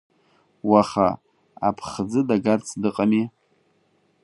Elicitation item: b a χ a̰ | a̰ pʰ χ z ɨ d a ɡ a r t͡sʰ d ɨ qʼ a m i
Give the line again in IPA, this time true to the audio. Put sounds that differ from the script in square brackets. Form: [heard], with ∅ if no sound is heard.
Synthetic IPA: [w] a χ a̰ | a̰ pʰ χ [d͡z] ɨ d a ɡ a r t͡sʰ d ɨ qʼ a m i

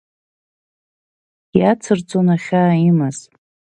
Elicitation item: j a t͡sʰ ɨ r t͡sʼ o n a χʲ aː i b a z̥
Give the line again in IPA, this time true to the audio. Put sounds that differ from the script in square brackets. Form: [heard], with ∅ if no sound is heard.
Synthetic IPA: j a t͡sʰ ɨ r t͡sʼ o n a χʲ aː i [m] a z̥

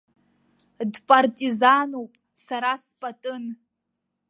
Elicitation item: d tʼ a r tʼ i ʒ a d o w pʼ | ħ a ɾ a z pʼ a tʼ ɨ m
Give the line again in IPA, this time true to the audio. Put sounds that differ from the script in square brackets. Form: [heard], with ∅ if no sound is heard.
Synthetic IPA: d [pʼ] a r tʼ i [z] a [n] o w pʼ | [s] a ɾ a [s] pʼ a tʼ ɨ [n]

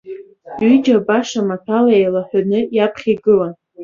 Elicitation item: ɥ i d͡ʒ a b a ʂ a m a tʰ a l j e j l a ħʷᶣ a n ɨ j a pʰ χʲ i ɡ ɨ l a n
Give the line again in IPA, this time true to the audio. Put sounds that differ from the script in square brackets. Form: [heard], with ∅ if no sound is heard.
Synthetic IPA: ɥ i d͡ʒ a b a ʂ a m a tʰ a l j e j l a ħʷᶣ a n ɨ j a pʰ χʲ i ɡ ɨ l a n

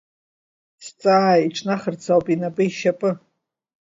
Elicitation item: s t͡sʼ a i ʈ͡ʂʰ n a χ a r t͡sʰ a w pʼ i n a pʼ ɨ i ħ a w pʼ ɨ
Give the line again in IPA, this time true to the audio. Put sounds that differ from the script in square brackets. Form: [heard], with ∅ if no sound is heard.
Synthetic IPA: s t͡sʼ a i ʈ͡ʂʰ n a χ [ə] r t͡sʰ a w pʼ i n a pʼ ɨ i [ʃ] a [∅] pʼ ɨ

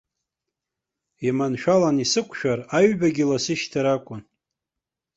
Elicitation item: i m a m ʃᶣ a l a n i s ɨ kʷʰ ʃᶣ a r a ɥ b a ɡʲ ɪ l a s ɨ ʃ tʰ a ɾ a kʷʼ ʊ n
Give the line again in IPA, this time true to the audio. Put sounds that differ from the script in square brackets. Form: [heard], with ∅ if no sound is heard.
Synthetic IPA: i m a [n] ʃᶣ a l a n i s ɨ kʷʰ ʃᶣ a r a ɥ b a ɡʲ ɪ l a s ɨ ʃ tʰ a ɾ a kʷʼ ʊ n

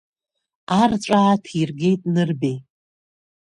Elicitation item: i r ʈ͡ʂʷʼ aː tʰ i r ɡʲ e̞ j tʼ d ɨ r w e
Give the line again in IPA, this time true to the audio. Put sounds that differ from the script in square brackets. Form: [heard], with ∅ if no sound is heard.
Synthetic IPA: [a] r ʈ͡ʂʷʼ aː tʰ i r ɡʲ e̞ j tʼ [n] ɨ r [b] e

